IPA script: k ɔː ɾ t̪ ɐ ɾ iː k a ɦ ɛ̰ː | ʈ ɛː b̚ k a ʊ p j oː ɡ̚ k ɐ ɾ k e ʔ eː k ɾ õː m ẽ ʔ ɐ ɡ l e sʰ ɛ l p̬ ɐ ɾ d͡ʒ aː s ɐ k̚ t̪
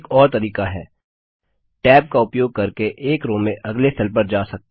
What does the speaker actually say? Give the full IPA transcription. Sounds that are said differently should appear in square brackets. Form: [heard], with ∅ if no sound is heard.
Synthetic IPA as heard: k ɔː ɾ t̪ ɐ ɾ iː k a ɦ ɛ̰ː | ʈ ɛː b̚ k a ʊ p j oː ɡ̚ k ɐ ɾ k e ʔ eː k ɾ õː m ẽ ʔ ɐ ɡ l e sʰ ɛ l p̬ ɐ ɾ d͡ʒ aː s ɐ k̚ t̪